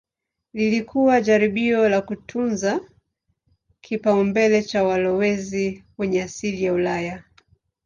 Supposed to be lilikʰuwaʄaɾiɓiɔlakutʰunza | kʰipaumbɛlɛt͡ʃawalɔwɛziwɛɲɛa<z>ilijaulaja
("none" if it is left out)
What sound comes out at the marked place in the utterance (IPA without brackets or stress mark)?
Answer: s